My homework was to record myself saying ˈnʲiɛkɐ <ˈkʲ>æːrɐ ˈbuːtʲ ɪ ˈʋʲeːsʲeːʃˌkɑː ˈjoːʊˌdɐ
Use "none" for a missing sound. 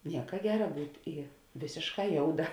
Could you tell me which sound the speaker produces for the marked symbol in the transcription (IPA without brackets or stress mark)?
ɡʲ